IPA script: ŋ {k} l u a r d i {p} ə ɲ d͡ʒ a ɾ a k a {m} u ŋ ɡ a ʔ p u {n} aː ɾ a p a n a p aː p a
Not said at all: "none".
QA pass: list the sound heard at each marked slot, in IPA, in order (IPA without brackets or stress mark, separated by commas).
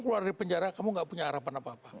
k, p, m, ɲ